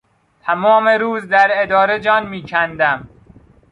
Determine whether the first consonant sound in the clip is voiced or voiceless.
voiceless